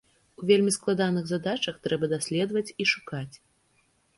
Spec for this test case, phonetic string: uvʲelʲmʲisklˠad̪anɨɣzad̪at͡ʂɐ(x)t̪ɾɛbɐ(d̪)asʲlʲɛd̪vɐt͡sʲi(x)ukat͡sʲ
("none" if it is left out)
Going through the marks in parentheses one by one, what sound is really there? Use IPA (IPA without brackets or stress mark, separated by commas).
x, d̪, ʂ